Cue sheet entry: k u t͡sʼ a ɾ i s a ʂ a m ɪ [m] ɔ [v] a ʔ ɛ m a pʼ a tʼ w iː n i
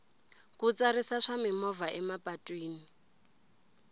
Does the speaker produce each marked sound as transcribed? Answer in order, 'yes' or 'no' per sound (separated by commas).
yes, yes